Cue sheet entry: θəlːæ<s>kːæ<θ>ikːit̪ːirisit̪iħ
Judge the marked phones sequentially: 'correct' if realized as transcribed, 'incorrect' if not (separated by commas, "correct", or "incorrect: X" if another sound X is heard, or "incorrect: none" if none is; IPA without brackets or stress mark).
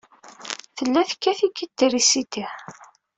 incorrect: θ, correct